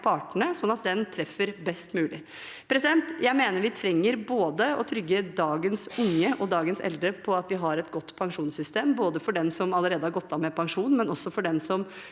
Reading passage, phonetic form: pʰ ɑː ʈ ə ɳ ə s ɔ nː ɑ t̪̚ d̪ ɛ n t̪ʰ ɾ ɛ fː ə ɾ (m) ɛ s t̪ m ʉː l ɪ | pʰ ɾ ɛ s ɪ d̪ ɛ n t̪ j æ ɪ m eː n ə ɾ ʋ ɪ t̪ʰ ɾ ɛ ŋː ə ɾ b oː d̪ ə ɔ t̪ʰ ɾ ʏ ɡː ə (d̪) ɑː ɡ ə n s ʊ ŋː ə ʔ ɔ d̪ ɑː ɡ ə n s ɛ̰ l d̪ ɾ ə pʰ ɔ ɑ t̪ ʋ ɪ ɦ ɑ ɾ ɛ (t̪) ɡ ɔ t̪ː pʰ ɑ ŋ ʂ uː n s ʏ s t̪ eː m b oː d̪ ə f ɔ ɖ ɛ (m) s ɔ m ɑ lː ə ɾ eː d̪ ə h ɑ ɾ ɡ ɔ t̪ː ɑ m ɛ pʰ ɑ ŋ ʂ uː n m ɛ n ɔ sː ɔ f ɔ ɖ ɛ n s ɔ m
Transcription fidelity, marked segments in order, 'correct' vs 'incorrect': incorrect: b, correct, correct, incorrect: n

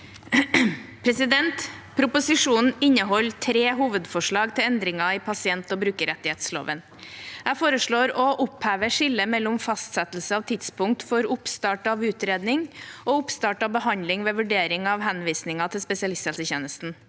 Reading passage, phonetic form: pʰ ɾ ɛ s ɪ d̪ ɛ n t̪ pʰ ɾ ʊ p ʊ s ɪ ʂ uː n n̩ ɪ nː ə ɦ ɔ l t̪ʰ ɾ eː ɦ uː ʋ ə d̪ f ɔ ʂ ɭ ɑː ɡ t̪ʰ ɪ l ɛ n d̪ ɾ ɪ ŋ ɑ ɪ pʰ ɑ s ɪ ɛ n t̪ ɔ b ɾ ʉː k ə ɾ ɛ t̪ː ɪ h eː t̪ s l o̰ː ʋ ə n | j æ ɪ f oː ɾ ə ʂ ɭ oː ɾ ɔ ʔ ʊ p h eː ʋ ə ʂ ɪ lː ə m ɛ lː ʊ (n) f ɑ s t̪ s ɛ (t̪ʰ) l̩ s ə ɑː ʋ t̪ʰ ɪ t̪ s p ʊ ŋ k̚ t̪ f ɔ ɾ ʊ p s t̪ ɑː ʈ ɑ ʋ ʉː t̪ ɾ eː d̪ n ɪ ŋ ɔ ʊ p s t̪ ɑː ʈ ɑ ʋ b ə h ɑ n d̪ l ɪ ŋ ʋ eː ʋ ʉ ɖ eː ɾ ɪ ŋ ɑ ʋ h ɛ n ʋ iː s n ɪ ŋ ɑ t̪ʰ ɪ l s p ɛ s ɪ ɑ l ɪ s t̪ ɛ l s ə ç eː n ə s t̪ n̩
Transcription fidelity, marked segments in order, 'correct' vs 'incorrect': incorrect: m, incorrect: t̪

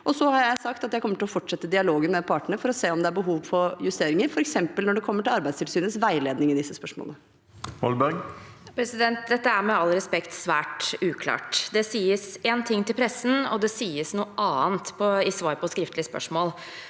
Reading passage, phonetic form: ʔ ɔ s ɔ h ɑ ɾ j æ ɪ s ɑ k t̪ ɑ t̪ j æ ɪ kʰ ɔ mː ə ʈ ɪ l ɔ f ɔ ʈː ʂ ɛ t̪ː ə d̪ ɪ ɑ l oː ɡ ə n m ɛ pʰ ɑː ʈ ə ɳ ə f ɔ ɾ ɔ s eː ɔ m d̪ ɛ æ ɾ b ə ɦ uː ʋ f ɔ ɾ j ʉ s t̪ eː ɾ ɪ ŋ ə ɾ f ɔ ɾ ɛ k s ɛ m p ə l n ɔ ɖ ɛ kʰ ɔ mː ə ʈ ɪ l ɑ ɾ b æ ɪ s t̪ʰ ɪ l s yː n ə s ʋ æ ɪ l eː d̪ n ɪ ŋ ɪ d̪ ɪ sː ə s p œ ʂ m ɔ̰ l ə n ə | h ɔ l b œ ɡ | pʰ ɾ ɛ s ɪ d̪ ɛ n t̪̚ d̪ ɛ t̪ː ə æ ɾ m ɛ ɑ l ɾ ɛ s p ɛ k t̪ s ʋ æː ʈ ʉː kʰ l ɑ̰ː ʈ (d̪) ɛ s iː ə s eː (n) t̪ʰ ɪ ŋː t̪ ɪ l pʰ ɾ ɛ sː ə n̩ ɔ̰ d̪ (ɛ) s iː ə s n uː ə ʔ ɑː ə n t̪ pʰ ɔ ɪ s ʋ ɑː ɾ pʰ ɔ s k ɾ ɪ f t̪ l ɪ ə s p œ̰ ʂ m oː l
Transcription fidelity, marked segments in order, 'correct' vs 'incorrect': correct, correct, correct

